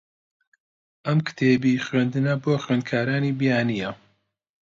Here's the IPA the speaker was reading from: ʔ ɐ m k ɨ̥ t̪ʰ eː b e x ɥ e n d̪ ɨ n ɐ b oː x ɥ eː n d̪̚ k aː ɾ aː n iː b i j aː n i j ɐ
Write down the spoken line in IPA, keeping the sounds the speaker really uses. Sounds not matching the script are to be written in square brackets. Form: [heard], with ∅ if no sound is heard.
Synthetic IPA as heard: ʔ ɐ m k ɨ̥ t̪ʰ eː b [i] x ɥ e n d̪ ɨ n ɐ b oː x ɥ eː n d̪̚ [kʰ] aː ɾ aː n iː b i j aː n i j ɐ